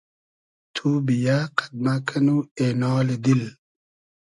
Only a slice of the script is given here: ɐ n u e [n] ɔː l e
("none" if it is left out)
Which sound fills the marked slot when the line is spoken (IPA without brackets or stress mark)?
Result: n